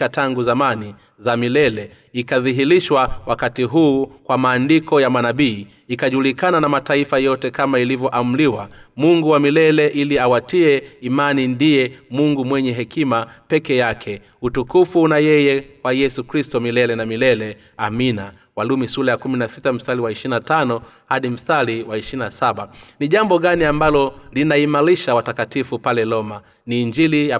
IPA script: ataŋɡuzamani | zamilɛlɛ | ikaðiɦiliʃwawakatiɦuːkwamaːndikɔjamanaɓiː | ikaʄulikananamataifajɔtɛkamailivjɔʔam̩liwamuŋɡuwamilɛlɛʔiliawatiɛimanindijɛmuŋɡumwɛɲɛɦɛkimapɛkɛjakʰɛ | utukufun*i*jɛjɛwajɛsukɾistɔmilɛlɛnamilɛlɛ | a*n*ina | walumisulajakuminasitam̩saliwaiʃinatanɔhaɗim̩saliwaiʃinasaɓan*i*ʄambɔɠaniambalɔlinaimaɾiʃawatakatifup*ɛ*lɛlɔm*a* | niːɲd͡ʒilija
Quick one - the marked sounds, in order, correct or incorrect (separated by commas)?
incorrect, incorrect, correct, incorrect, correct